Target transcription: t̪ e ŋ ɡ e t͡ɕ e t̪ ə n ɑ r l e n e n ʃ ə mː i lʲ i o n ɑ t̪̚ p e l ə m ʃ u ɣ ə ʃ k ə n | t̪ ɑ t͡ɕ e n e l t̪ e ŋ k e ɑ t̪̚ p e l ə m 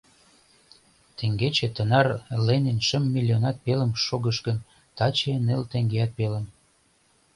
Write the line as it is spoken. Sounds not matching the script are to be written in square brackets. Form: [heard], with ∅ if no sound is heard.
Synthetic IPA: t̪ e ŋ ɡ e t͡ɕ e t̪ ə n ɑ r l e n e n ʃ ə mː i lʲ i o n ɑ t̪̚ p e l ə m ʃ [o] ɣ ə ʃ k ə n | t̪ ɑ t͡ɕ e n e l t̪ e ŋ [ɡ] e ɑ t̪̚ p e l ə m